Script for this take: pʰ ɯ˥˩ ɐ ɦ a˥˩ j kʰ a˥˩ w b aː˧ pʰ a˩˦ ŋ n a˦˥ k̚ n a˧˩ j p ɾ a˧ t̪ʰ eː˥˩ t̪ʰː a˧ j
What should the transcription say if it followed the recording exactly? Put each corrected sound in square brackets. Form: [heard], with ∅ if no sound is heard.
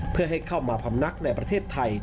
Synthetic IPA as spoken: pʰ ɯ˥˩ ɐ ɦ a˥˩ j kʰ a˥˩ w [m] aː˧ pʰ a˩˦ [m] n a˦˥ k̚ n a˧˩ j p ɾ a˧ t̪ʰ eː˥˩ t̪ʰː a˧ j